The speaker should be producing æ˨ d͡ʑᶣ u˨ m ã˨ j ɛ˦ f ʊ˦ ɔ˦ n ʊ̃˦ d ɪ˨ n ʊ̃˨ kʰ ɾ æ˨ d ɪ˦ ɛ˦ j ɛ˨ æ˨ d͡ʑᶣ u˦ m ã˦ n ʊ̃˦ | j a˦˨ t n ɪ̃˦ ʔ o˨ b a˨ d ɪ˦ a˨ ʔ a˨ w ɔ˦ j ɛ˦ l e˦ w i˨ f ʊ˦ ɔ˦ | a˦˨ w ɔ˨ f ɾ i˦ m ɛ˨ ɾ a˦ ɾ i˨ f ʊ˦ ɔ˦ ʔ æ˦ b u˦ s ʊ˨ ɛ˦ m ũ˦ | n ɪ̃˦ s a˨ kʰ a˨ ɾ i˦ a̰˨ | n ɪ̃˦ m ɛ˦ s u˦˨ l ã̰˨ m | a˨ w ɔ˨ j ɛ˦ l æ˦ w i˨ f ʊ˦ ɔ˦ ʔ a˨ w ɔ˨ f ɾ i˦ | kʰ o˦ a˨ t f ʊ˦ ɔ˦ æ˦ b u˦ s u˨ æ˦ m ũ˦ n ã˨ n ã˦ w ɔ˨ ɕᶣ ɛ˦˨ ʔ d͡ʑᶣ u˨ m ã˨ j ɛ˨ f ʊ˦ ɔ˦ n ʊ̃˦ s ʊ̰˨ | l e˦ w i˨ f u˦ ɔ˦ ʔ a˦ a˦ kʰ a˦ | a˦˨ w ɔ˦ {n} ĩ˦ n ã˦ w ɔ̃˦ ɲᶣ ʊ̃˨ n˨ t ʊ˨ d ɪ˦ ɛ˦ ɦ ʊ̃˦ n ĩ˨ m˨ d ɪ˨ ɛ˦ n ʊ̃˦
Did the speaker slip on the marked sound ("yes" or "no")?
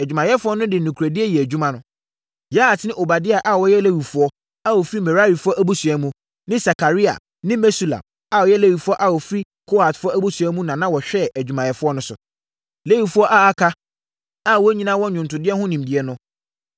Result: yes